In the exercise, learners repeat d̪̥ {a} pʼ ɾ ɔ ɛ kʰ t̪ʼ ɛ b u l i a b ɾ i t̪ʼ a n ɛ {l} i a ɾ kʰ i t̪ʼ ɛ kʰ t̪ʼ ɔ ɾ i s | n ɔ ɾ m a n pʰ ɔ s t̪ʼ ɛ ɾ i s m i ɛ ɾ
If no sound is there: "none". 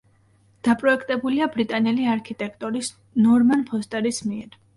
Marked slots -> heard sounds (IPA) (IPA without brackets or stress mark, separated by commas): a, l